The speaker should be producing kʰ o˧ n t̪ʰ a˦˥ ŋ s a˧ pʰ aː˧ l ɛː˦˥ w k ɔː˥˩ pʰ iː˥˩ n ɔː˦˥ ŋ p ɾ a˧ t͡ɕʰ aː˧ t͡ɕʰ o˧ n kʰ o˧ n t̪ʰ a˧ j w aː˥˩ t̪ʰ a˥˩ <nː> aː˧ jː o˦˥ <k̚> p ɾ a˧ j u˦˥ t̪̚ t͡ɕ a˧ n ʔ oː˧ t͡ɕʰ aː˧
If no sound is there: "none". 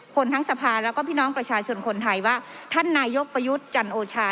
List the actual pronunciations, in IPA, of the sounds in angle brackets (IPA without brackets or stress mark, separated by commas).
nː, k̚